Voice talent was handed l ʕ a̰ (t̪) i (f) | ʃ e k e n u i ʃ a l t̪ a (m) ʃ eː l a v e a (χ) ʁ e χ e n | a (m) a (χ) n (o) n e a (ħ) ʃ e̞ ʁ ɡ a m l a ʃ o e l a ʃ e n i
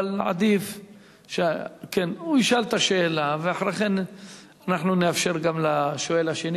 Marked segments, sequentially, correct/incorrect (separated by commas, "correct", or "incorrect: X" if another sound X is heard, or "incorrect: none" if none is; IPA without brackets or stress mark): incorrect: d̪, correct, incorrect: none, incorrect: ħ, incorrect: n, incorrect: ħ, incorrect: u, incorrect: f